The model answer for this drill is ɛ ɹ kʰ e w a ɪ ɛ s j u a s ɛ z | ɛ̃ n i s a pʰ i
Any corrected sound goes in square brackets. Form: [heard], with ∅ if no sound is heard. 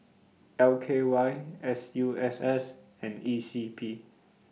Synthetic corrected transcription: ɛ [l] kʰ e w a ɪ ɛ s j u [ɛ] s ɛ [s] | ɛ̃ n i s [i] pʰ i